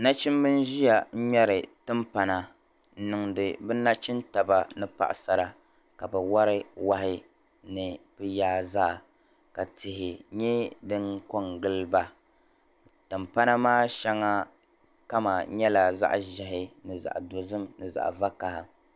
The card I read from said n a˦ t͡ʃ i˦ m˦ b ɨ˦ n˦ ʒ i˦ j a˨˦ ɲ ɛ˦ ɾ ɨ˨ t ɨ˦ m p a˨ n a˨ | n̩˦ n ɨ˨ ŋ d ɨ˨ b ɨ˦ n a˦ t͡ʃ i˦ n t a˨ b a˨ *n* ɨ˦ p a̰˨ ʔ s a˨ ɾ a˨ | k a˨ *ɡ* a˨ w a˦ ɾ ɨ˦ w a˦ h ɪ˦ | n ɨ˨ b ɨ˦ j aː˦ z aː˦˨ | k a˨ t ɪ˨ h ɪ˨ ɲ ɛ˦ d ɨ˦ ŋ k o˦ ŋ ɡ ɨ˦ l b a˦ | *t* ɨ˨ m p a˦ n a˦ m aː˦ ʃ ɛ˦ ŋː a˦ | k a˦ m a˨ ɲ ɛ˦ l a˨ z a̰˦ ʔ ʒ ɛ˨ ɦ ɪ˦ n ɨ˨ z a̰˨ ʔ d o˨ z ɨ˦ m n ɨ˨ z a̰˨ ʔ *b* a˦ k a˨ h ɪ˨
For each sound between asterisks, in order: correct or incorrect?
correct, incorrect, correct, incorrect

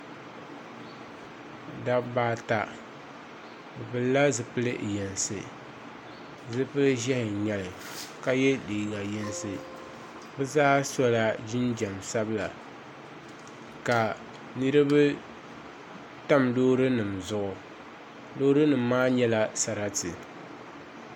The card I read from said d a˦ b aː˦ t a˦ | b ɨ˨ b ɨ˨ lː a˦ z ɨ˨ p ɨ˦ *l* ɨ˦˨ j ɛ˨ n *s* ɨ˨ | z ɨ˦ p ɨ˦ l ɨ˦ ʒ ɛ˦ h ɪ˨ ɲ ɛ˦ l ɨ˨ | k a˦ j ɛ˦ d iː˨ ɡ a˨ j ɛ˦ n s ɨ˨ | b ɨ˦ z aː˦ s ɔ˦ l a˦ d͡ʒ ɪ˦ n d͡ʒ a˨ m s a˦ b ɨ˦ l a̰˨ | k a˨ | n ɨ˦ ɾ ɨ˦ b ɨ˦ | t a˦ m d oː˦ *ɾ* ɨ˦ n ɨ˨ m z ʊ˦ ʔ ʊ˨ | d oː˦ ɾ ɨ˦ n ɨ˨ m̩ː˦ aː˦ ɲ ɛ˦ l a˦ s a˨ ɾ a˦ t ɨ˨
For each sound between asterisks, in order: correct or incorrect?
correct, correct, correct

